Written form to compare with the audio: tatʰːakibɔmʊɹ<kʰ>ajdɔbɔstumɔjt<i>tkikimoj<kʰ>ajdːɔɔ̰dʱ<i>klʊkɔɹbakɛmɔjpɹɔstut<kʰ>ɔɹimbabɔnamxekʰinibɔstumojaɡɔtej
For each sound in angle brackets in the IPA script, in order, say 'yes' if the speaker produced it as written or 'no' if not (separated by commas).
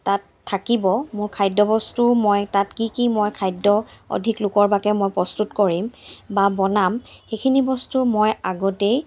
yes, no, yes, yes, no